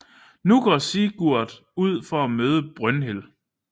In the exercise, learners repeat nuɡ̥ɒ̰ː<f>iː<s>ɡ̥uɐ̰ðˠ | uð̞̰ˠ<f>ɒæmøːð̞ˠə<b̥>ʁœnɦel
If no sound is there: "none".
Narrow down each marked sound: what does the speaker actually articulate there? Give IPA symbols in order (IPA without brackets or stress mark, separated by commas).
s, none, f, b̥